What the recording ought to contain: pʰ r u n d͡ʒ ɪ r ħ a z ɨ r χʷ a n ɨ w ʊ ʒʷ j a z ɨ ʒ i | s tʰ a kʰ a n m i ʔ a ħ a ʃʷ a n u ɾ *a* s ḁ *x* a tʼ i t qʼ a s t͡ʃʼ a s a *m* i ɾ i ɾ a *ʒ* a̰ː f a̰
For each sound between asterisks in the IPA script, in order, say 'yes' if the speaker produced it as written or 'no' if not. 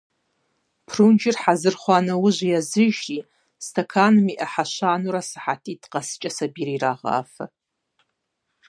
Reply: yes, no, no, no

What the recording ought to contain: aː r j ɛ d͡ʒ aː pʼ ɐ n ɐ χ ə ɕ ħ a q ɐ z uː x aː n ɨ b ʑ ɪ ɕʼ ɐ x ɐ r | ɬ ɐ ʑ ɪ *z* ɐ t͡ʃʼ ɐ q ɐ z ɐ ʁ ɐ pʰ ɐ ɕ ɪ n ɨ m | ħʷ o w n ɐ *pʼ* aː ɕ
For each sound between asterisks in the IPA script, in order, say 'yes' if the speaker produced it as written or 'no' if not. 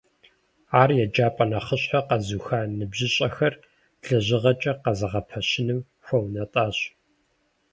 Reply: no, no

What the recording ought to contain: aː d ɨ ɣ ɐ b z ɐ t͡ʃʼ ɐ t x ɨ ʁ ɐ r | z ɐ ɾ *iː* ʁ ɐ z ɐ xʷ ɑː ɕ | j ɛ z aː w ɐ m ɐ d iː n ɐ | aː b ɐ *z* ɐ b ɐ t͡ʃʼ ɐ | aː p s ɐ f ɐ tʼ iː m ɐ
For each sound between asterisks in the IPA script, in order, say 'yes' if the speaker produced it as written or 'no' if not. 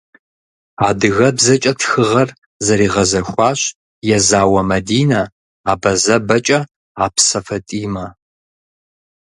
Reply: yes, yes

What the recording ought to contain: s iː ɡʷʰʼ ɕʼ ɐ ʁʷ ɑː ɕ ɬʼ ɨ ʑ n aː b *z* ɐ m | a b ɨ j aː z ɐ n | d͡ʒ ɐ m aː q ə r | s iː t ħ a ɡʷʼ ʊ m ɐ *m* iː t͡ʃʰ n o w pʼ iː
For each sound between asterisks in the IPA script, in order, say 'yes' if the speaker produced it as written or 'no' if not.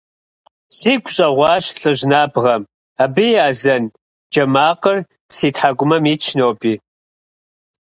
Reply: no, yes

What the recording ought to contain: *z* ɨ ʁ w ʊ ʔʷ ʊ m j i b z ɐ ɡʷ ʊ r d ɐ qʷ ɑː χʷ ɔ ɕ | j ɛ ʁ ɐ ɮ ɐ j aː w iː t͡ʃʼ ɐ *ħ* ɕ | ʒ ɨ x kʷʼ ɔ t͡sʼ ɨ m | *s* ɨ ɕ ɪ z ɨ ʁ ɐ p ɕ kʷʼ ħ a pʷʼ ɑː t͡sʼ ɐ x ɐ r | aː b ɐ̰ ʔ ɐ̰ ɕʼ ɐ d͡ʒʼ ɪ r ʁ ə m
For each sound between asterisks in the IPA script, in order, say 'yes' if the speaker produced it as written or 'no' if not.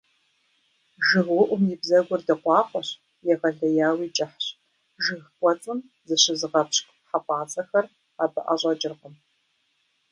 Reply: no, yes, no

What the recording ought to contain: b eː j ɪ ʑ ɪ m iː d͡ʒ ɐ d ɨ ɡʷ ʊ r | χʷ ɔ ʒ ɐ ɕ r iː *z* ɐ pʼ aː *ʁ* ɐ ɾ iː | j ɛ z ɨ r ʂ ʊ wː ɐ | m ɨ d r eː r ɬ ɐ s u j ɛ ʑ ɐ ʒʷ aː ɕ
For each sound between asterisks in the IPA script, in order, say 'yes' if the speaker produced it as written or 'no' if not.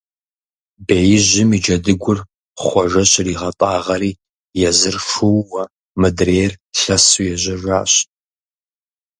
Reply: no, yes

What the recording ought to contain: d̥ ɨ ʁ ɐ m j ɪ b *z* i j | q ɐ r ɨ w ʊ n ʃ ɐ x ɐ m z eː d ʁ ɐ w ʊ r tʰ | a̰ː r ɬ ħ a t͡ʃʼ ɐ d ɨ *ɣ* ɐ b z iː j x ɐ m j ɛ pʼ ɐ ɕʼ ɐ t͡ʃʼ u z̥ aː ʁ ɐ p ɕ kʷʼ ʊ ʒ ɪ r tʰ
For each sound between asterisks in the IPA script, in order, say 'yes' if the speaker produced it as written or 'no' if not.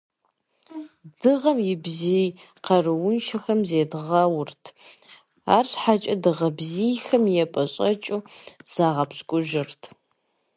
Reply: yes, no

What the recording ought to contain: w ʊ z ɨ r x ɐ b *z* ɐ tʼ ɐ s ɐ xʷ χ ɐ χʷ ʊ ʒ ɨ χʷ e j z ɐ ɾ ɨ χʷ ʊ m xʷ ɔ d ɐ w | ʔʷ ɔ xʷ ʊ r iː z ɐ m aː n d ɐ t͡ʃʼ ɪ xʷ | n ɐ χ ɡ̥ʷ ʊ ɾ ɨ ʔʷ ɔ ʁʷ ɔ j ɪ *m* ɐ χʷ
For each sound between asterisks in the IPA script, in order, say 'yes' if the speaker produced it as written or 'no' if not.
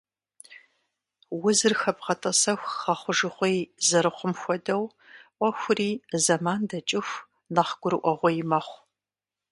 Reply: no, yes

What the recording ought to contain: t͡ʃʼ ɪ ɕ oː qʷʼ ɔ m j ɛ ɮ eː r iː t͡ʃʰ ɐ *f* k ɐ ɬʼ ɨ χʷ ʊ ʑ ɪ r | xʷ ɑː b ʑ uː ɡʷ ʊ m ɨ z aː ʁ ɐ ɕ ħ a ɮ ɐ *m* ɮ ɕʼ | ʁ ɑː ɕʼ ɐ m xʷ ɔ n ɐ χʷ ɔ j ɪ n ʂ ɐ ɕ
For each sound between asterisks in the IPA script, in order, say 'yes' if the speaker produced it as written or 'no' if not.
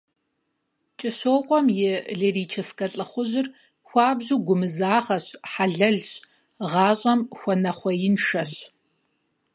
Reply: no, no

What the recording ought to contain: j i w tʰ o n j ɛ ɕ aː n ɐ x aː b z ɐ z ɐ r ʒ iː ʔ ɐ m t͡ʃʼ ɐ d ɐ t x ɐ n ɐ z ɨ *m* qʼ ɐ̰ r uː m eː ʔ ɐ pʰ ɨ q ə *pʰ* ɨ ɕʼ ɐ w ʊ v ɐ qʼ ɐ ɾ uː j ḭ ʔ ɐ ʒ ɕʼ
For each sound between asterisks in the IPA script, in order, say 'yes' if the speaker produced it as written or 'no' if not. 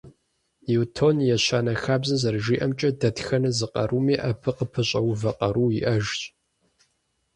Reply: no, yes

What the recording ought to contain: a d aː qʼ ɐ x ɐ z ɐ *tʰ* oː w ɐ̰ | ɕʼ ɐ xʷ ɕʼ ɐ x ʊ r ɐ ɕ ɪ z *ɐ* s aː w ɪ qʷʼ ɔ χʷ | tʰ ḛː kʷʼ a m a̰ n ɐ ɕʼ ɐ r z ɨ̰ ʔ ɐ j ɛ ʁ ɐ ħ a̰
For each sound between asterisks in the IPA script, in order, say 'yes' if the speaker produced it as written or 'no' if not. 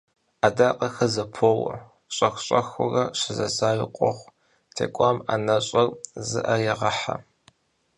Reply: no, yes

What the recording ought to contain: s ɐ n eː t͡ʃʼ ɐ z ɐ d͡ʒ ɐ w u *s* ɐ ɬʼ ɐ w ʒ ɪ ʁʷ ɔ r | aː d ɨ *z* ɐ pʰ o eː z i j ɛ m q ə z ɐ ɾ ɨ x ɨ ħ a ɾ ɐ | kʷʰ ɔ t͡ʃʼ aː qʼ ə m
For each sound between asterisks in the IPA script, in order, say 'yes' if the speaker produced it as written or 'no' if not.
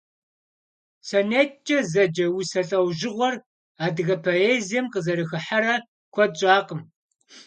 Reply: yes, no

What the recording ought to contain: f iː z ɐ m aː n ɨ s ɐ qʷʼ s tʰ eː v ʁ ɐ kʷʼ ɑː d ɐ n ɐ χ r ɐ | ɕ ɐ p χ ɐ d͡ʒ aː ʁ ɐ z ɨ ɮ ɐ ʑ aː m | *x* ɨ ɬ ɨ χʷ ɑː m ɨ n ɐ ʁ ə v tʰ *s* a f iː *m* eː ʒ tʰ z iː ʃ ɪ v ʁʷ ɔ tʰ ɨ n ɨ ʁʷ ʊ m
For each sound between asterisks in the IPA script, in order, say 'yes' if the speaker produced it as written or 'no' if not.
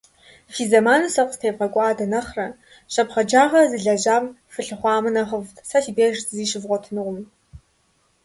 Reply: no, yes, no

